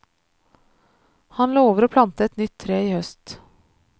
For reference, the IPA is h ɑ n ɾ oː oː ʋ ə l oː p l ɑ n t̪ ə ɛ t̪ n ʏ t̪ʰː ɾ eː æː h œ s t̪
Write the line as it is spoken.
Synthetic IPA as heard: h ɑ n l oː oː ʋ ə ɾ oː pʰ l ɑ n t̪ ə ɛ t̪ n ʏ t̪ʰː ɾ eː iː h œ s t̪